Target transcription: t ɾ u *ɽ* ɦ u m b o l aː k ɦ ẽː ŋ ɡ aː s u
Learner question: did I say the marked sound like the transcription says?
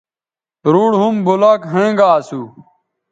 yes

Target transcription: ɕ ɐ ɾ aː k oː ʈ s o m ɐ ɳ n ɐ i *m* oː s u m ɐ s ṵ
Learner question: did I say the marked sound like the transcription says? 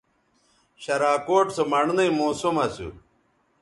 yes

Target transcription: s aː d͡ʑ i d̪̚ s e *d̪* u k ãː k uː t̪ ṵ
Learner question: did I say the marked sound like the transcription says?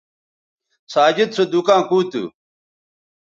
yes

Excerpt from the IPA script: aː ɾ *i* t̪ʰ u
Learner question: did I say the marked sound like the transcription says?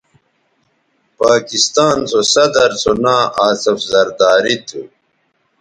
yes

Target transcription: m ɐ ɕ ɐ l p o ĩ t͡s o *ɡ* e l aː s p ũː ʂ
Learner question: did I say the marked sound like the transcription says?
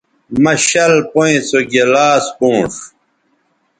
yes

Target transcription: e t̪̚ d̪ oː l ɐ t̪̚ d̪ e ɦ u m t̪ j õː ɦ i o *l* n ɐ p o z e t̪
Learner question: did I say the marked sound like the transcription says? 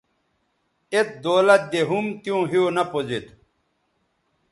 no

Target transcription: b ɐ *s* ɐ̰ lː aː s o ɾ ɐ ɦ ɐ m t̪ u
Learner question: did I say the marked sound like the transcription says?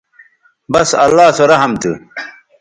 yes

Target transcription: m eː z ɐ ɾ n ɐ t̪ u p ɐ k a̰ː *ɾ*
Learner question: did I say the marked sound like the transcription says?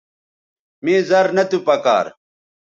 yes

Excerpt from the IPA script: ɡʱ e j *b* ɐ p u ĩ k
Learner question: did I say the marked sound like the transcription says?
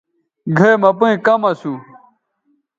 no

